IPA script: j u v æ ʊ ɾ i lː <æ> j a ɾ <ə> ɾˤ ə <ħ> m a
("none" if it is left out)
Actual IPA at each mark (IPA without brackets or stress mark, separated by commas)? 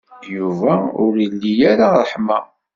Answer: i, a, ħ